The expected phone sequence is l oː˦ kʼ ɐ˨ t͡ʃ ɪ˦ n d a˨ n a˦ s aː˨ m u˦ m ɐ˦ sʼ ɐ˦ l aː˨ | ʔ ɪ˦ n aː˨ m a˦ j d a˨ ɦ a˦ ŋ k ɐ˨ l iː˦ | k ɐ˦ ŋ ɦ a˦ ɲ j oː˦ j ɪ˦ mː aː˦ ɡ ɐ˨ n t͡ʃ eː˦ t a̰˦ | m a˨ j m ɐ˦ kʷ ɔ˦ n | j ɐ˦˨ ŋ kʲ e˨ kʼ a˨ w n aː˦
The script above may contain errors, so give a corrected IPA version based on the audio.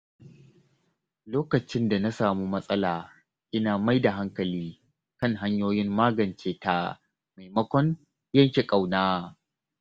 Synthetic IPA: l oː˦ k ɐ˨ t͡ʃ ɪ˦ n d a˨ n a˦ s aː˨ m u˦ m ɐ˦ sʼ ɐ˦ l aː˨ | ʔ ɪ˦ n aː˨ m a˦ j d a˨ ɦ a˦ ŋ k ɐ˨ l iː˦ | k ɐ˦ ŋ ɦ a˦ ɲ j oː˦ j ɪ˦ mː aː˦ ɡ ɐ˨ n t͡ʃ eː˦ t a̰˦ | m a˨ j m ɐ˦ kʷ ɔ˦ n | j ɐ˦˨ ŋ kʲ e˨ kʼ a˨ w n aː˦